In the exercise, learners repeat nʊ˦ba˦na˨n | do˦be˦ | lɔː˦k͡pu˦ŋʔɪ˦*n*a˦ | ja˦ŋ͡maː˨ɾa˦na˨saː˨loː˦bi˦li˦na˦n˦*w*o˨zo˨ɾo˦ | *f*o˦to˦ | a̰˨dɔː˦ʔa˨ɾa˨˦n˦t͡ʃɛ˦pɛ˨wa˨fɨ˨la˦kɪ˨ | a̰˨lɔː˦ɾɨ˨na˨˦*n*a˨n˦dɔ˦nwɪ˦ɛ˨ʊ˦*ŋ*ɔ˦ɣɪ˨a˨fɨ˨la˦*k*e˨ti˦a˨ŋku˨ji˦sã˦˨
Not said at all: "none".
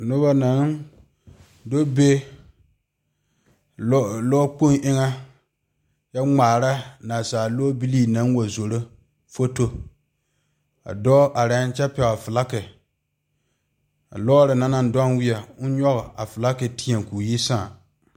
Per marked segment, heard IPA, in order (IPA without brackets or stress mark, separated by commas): ŋ, w, f, n, ɲ, k